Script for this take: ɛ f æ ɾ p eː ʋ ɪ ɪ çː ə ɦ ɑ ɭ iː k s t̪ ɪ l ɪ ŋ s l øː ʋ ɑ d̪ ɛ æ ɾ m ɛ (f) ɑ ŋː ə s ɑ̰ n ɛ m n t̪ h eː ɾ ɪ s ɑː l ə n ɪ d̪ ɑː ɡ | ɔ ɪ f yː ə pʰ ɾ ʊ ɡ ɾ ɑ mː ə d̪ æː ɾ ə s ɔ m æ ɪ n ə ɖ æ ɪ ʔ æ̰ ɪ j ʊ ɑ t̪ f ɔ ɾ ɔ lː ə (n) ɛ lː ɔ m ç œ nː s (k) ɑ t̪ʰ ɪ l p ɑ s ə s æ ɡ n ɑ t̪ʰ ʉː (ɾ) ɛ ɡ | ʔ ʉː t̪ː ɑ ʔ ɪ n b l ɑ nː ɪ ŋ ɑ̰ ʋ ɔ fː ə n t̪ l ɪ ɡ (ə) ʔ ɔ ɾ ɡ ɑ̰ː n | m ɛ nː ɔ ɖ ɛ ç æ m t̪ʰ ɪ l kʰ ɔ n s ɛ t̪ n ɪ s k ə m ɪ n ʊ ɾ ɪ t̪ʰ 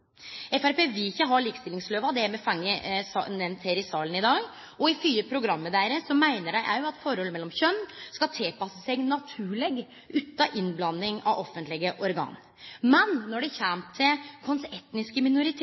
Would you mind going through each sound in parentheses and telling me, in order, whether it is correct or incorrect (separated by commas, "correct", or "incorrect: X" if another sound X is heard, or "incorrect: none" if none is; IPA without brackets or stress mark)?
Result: correct, incorrect: m, correct, incorrect: ɭ, correct